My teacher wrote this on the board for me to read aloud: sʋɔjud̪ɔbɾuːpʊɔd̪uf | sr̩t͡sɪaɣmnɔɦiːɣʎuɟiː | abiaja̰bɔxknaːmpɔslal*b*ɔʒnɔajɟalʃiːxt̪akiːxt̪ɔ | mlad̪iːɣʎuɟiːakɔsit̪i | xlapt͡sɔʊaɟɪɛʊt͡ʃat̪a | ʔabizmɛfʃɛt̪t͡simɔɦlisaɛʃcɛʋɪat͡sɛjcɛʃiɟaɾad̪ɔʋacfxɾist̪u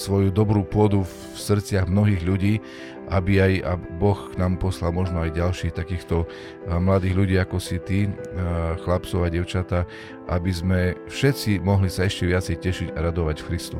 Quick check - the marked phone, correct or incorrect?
incorrect